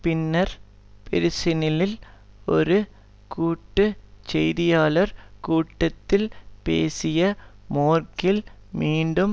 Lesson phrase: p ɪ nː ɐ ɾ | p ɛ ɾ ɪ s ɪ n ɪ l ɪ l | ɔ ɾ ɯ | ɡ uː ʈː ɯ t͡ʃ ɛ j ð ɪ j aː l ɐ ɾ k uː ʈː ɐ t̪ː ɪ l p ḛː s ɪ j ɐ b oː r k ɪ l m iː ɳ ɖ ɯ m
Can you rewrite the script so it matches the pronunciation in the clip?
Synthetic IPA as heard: p ɪ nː ɐ ɾ | p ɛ ɾ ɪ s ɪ n ɪ l ɪ l | ɔ ɾ ɯ | k uː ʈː ɯ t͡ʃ ɛ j ð ɪ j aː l ɐ ɾ k uː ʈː ɐ t̪ː ɪ l p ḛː s ɪ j ɐ m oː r k ɪ l m iː ɳ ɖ ɯ m

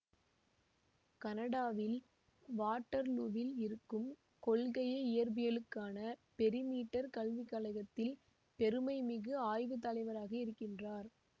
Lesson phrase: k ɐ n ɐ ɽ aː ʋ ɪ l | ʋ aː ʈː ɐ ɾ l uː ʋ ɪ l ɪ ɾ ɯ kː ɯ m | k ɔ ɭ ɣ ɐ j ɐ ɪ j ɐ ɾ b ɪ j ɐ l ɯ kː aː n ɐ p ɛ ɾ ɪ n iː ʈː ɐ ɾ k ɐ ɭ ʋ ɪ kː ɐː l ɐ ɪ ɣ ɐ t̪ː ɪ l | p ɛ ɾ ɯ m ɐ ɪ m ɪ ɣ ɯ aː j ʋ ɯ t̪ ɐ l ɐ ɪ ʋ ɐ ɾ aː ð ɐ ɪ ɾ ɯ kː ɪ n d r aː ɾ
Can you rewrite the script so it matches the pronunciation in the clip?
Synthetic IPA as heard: k ɐ n ɐ ɽ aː ʋ ɪ l | ʋ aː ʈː ɐ ɾ l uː ʋ ɪ l ɪ ɾ ɯ kː ɯ m | k ɔ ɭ ɣ ɐ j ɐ ɪ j ɐ ɾ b ɪ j ɐ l ɯ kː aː n ɐ p ɛ ɾ ɪ m iː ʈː ɐ ɾ k ɐ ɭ ʋ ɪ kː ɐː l ɐ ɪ ɣ ɐ t̪ː ɪ l | p ɛ ɾ ɯ m ɐ ɪ m ɪ ɣ ɯ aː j ʋ ɯ t̪ ɐ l ɐ ɪ ʋ ɐ ɾ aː ɣ ɐ ɪ ɾ ɯ kː ɪ n d r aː ɾ

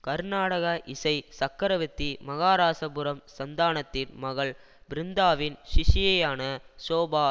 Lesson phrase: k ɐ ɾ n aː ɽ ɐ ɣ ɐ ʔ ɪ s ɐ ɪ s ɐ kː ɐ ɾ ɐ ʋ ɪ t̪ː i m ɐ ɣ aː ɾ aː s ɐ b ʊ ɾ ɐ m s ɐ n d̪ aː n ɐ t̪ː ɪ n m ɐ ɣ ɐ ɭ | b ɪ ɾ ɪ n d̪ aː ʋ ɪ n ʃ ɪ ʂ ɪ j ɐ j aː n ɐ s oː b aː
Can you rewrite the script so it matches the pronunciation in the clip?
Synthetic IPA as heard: k ɐ ɾ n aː ɽ ɐ ɣ ɐ ʔ ɪ s ɐ ɪ s ɐ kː ɐ ɾ ɐ ʋ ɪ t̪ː i m ɐ ɣ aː ɾ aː s ɐ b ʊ ɾ ɐ m s ɐ n d̪ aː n ɐ t̪ː ɪ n m ɐ ɣ ɐ ɭ | b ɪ ɾ ɪ n d̪ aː ʋ ɪ n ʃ ɪ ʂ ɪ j ɐ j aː n ɐ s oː b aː

